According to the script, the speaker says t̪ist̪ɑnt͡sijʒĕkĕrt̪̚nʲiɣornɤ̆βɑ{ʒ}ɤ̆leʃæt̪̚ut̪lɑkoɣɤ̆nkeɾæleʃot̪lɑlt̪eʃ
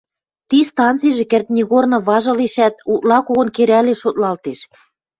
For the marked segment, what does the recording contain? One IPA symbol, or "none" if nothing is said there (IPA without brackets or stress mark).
ʒ